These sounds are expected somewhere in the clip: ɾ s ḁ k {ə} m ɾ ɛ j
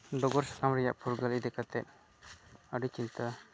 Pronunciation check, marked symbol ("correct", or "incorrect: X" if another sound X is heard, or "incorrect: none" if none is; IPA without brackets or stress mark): incorrect: a